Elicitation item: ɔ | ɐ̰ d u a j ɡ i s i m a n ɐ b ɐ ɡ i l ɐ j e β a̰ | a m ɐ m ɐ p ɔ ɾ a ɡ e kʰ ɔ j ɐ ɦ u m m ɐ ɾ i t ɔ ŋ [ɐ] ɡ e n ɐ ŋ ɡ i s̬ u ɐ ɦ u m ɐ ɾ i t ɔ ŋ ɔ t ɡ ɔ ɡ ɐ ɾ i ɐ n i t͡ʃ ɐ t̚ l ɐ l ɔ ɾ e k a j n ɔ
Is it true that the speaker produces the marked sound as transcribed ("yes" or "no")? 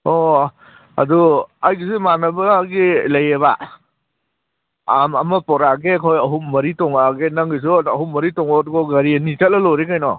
no